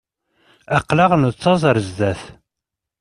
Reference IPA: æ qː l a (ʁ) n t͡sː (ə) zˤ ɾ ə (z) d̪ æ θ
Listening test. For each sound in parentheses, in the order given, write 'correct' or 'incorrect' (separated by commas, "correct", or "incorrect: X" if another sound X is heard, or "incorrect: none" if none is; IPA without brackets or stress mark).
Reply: correct, incorrect: ɑ, correct